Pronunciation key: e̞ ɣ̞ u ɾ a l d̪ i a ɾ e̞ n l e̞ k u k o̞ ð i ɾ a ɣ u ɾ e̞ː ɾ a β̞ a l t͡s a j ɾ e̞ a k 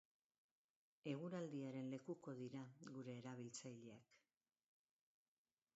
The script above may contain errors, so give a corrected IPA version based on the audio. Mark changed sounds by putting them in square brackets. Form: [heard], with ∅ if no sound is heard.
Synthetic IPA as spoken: e̞ ɣ̞ u ɾ a l d̪ i a ɾ e̞ n l e̞ k u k o̞ ð i ɾ a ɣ u ɾ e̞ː ɾ a β̞ [i] l t͡s a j [ʎ] e̞ a k